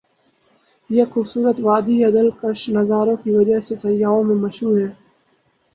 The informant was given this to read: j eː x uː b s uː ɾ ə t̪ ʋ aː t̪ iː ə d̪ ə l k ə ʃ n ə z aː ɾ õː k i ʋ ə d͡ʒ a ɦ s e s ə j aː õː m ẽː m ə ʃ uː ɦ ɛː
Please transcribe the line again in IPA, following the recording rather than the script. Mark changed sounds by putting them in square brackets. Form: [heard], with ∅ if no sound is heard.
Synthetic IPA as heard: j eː x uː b s uː ɾ ə t̪ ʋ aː [d̪] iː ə d̪ ə l k ə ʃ n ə z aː ɾ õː k i ʋ ə d͡ʒ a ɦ s e s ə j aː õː m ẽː m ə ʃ uː ɦ ɛː